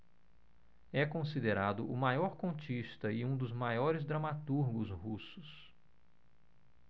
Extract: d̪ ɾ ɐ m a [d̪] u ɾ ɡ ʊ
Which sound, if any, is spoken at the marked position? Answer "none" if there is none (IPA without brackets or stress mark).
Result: t̪